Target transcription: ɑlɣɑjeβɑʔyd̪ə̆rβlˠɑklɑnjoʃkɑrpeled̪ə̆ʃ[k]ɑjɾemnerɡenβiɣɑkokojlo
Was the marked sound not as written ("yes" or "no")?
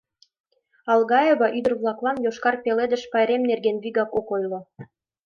yes